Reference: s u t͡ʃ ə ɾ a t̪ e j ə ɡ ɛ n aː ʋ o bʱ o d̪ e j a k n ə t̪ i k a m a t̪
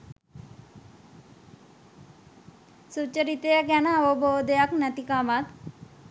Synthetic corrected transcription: s u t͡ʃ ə ɾ i t̪ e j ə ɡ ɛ n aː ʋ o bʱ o d̪ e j a k n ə t̪ i k a m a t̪